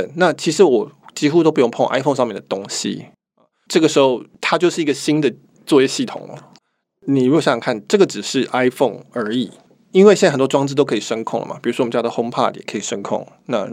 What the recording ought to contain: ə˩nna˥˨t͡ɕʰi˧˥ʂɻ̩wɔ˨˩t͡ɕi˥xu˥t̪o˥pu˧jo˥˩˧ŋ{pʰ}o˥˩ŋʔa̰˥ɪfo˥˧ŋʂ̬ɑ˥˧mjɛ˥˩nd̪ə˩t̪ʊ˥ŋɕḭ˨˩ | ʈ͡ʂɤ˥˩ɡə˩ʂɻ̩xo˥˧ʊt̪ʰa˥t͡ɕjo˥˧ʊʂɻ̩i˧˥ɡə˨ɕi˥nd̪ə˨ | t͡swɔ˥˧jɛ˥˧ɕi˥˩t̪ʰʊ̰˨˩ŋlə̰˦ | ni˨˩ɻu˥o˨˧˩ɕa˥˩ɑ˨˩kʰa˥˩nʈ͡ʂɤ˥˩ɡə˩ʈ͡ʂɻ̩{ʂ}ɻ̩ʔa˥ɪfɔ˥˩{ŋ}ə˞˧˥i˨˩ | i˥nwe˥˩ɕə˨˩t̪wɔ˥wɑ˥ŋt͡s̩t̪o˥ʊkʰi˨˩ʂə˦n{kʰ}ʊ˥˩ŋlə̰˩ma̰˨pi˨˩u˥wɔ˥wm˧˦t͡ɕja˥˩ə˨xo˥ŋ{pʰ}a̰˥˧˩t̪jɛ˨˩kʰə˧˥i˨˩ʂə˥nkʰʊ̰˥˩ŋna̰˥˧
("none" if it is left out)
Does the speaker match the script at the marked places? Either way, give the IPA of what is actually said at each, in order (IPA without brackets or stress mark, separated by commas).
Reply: pʰ, ʂ, ŋ, kʰ, pʰ